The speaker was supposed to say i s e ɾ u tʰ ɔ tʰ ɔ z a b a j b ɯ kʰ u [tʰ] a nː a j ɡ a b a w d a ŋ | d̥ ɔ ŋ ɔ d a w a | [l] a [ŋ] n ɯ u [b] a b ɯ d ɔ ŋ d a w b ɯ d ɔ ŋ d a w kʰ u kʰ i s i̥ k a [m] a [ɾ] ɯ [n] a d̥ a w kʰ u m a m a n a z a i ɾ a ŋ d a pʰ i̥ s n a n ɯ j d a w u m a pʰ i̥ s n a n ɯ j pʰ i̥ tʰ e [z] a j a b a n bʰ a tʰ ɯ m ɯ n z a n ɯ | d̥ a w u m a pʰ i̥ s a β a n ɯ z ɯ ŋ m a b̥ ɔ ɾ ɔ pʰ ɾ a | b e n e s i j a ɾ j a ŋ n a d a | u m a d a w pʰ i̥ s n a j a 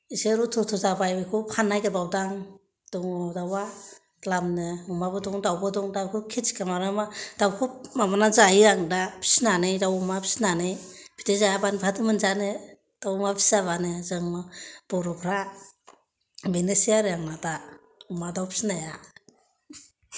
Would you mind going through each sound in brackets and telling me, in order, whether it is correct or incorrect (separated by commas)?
incorrect, correct, incorrect, incorrect, correct, correct, incorrect, correct